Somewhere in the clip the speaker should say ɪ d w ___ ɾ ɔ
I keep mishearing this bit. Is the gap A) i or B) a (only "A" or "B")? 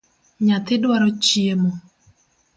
B